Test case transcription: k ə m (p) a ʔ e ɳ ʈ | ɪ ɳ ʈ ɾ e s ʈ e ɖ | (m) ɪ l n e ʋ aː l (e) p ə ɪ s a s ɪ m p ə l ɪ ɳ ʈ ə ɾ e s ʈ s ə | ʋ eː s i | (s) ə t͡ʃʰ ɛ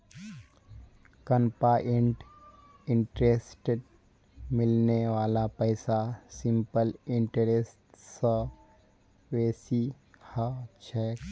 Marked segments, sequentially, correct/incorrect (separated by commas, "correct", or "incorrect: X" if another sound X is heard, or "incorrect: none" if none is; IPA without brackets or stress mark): correct, correct, incorrect: a, incorrect: h